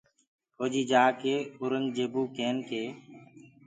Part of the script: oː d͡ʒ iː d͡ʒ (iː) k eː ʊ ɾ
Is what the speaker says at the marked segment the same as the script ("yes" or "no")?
no